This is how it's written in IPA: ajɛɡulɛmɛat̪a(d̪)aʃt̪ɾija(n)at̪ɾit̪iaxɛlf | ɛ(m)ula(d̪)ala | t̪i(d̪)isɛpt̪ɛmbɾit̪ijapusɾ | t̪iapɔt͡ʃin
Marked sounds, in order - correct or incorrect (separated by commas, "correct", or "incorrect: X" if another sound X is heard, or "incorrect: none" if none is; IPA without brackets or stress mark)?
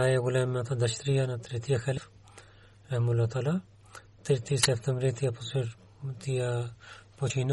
correct, correct, correct, incorrect: t̪, incorrect: t̪